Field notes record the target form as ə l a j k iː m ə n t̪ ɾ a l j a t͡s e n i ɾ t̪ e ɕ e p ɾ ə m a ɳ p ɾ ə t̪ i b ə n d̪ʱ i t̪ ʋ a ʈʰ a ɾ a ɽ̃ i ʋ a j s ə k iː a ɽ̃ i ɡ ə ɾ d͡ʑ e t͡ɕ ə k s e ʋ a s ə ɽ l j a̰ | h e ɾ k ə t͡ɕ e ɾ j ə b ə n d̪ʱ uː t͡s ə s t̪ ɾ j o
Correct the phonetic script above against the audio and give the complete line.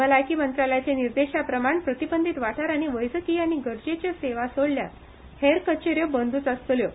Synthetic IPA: ə l a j k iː m ə n t̪ ɾ a l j a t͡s e n i ɾ d̪ e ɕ a p ɾ ə m a ɳ p ɾ ə t̪ i b ə n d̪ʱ i t̪ ʋ a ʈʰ a ɾ a ɽ̃ i ʋ ə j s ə k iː a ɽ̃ i ɡ ə ɾ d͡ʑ e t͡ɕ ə s e ʋ a s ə ɽ l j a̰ | h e ɾ k ə t͡ɕ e ɾ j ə b ə n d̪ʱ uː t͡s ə s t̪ l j o

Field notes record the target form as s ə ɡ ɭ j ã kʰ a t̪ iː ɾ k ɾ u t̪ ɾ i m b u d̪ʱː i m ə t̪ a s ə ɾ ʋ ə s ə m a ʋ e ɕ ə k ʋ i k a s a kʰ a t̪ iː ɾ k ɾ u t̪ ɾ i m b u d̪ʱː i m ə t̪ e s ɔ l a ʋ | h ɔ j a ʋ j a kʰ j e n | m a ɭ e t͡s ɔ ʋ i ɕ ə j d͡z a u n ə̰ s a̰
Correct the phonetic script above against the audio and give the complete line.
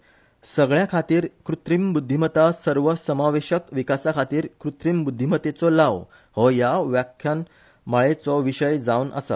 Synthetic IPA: s ə ɡ ɭ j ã kʰ a t̪ iː ɾ k ɾ u t̪ ɾ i m b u d̪ʱː i m ə t̪ a s ə ɾ ʋ ə s ə m a ʋ e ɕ ə k ʋ i k a s a kʰ a t̪ iː ɾ k ɾ u t̪ ɾ i m b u d̪ʱː i m ə t̪ e t͡s ɔ l a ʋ | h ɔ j a ʋ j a kʰ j a n | m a ɭ e t͡s ɔ ʋ i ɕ ə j d͡z a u n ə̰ s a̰

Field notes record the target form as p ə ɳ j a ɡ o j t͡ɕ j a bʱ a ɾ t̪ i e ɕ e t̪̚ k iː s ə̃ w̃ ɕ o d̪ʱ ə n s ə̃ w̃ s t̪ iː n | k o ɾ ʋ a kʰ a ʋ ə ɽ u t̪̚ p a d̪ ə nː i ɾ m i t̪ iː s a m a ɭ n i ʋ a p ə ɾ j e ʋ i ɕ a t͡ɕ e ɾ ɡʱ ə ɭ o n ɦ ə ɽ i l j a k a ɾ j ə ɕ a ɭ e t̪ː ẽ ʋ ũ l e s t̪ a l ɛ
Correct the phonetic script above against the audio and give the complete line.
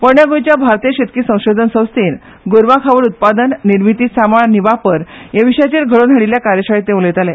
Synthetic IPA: p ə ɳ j a ɡ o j t͡ɕ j a bʱ a ɾ t̪ i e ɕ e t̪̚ k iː s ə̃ w̃ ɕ o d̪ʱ ə n s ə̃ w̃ s t̪ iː n | ɡ o ɾ ʋ a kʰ a ʋ ə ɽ u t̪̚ p a d̪ ə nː i ɾ m i t̪ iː s a m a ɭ n i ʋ a p ə ɾ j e ʋ i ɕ a t͡ɕ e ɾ ɡʱ ə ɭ o n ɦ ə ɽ i l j a k a ɾ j ə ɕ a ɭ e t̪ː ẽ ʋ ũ l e t̪ a l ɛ

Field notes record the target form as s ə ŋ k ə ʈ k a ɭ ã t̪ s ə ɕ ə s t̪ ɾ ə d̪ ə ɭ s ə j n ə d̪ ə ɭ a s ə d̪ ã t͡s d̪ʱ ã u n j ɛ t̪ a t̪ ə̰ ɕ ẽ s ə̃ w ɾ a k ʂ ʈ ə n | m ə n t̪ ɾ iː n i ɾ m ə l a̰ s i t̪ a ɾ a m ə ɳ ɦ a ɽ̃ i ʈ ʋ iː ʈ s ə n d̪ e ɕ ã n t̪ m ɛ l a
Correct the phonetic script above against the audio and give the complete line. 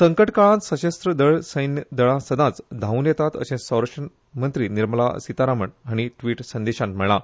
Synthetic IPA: s ə ŋ k ə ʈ k a ɭ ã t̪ s ə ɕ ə s t̪ ɾ ə d̪ ə ɭ s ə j n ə d̪ ə ɭ a s ə d̪ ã t͡s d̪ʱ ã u n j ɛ t̪ a t̪ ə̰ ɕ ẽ s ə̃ w ɾ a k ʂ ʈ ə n | m ə n t̪ ɾ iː n i ɾ m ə l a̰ s i t̪ a ɾ a m ə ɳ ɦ a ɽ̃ i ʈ ʋ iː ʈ s ə n d̪ e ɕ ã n t̪ m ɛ ɭ a

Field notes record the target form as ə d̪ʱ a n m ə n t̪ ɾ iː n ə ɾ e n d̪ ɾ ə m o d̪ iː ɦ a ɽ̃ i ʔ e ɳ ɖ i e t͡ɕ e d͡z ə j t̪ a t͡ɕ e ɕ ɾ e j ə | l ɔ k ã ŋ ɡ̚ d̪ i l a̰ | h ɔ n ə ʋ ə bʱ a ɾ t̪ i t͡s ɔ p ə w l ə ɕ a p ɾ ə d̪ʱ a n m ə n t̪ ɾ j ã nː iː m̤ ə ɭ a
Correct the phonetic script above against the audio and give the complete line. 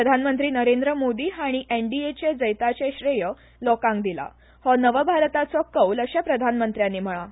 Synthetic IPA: ə d̪ʱ a n m ə n t̪ ɾ iː n ə ɾ e n d̪ ɾ ə m o d̪ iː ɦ a ɽ̃ i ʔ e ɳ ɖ i e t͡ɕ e d͡z ə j t̪ a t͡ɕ e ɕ ɾ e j ə | l ɔ k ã ŋ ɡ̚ d̪ i l a̰ | h ɔ n ə ʋ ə bʱ a ɾ t̪ a t͡s ɔ k ə w l ə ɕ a p ɾ ə d̪ʱ a n m ə n t̪ ɾ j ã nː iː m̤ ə ɭ a

